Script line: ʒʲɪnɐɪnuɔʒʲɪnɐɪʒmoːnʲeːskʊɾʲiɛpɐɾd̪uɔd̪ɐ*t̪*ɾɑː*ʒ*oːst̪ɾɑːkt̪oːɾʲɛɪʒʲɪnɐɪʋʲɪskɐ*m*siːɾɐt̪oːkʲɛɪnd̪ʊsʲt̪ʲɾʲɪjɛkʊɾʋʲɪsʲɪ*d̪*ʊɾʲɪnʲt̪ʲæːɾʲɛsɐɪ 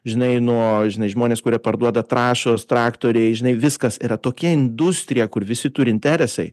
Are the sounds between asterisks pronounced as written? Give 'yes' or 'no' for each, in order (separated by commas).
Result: yes, no, no, no